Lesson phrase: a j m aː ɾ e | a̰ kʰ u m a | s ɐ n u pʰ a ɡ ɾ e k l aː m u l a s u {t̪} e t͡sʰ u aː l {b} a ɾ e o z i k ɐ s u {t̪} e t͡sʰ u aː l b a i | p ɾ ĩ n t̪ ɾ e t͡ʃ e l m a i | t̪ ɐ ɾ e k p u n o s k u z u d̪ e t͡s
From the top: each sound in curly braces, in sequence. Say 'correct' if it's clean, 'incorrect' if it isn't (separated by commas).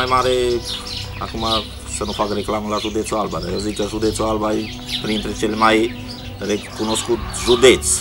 incorrect, correct, incorrect